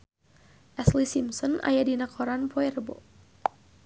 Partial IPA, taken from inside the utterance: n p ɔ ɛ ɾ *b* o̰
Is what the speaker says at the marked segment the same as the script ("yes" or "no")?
yes